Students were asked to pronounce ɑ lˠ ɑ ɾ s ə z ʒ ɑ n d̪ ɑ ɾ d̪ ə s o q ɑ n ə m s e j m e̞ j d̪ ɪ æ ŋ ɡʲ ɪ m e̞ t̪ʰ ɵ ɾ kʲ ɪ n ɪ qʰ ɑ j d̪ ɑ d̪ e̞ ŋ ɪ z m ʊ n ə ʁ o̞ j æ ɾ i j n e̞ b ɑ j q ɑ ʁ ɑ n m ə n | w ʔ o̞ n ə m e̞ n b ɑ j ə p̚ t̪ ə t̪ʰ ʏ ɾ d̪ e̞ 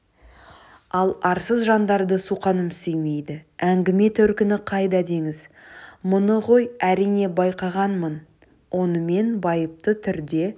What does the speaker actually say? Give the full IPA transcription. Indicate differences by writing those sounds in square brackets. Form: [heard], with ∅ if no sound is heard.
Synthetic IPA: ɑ lˠ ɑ ɾ s ə z ʒ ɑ n d̪ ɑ ɾ d̪ ə s [u] q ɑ n ə m s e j m e̞ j d̪ ɪ æ ŋ ɡʲ ɪ m e̞ t̪ʰ ɵ ɾ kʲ ɪ n ɪ qʰ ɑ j d̪ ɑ d̪ e̞ ŋ ɪ z m ʊ n ə ʁ o̞ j æ ɾ i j n e̞ b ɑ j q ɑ ʁ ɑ n m ə n | w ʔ o̞ n ə m e̞ n b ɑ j ə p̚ t̪ ə t̪ʰ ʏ ɾ d̪ e̞

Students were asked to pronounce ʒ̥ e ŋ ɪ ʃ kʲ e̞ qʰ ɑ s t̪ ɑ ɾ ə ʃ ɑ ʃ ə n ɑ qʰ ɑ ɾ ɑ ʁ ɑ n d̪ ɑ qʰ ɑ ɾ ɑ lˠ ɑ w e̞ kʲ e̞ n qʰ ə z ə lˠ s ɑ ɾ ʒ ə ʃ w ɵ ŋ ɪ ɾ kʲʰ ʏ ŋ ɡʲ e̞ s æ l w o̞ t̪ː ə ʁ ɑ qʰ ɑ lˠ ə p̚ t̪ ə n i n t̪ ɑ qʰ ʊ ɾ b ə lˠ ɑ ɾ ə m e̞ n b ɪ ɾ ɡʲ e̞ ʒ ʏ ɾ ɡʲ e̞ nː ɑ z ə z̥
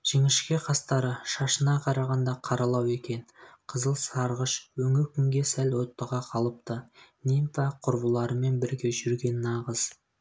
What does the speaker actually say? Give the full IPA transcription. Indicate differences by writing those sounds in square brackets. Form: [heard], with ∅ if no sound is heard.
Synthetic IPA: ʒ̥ e ŋ ɪ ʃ kʲ e̞ qʰ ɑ s t̪ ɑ ɾ ə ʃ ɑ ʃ ə n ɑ qʰ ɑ ɾ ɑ ʁ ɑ n d̪ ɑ qʰ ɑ ɾ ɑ lˠ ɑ w e̞ kʲ e̞ n qʰ ə z ə lˠ s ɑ ɾ [ʁ] ə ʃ w ɵ ŋ ɪ ɾ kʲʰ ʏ ŋ ɡʲ e̞ s æ l w o̞ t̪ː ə ʁ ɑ qʰ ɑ lˠ ə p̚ t̪ ə n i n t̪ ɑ qʰ ʊ ɾ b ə lˠ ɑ ɾ ə m e̞ n b ɪ ɾ ɡʲ e̞ ʒ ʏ ɾ ɡʲ e̞ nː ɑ [ʁ] ə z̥

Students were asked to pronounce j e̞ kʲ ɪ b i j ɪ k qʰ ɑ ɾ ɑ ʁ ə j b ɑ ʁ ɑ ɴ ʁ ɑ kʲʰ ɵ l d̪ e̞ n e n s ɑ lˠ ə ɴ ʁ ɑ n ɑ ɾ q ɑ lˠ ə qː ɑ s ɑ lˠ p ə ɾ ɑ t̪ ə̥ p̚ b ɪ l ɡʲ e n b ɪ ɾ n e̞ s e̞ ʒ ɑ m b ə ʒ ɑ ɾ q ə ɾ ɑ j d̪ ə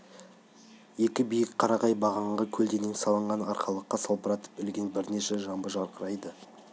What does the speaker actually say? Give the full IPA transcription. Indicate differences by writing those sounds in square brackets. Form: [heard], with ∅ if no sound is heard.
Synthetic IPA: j e̞ kʲ ɪ b i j ɪ k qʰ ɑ ɾ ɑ ʁ [ɑ] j b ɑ ʁ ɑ ɴ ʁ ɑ kʲʰ ɵ l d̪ e̞ n e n s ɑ lˠ ə ɴ ʁ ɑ n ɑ ɾ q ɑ lˠ ə qː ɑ s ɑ lˠ p ə ɾ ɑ t̪ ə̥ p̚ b ɪ l ɡʲ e n b ɪ ɾ n e̞ [ʃ] e̞ ʒ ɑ m b ə ʒ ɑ ɾ q ə ɾ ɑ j d̪ ə

